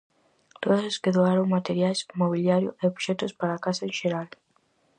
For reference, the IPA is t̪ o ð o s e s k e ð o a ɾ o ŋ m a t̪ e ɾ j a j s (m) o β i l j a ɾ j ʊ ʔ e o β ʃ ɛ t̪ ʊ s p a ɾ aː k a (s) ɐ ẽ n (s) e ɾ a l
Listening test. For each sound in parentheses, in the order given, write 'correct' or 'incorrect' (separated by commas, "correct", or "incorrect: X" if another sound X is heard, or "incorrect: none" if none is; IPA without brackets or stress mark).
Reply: correct, correct, incorrect: ʃ